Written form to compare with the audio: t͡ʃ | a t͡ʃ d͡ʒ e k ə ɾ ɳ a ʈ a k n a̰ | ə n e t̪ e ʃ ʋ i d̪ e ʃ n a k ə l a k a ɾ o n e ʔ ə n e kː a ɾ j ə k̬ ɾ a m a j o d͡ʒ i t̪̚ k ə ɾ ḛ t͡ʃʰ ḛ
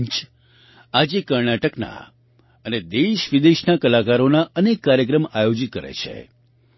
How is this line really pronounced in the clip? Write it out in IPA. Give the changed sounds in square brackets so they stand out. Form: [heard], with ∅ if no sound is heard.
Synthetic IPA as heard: t͡ʃ | a [∅] d͡ʒ e k ə ɾ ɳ a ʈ [ə] k n a̰ | ə n e [d̪] e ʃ ʋ i d̪ e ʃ n a k ə l a k a ɾ o n [a] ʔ ə n e kː a ɾ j ə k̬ ɾ [ə] m a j o d͡ʒ i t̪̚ k ə ɾ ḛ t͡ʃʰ ḛ